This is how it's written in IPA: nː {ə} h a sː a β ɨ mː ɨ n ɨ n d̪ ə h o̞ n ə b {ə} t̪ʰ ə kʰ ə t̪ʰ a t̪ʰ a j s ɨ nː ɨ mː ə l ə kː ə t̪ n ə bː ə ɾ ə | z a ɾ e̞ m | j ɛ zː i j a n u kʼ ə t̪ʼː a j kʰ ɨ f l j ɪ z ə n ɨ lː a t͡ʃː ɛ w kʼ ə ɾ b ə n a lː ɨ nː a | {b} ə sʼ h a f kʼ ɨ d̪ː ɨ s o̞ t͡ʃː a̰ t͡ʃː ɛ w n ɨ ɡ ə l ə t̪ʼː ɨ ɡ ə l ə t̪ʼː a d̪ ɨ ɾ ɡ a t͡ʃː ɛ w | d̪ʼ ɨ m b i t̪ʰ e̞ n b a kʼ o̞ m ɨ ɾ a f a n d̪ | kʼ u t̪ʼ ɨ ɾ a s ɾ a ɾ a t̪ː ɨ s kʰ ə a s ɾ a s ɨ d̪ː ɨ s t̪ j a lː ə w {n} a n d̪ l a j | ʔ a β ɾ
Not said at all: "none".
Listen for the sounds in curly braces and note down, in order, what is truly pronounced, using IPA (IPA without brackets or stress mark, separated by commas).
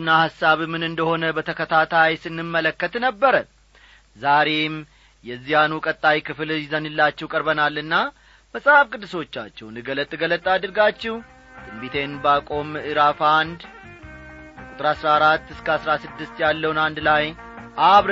a, ə, m, n